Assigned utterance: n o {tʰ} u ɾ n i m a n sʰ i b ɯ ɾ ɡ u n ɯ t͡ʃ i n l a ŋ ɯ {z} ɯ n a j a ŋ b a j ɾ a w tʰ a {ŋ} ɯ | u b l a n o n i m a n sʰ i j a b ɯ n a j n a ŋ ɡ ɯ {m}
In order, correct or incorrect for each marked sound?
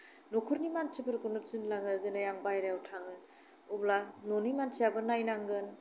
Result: incorrect: kʰ, correct, correct, incorrect: n

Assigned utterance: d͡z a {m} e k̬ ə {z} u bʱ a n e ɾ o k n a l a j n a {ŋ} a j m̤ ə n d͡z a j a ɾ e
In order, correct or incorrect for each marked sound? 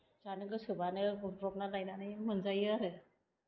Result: incorrect: n, incorrect: s, incorrect: n

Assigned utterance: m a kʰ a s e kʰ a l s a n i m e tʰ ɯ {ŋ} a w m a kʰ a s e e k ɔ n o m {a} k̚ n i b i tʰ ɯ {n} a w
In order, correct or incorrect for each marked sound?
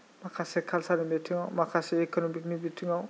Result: correct, incorrect: i, incorrect: ŋ

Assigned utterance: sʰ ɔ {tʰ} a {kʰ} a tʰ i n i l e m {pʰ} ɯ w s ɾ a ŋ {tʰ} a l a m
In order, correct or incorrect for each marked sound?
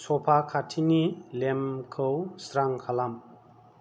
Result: incorrect: pʰ, correct, incorrect: kʰ, incorrect: kʰ

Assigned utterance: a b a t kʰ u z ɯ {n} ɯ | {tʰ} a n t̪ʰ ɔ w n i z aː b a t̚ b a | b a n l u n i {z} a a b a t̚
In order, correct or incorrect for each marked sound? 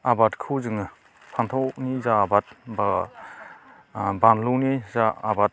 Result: incorrect: ŋ, incorrect: pʰ, correct

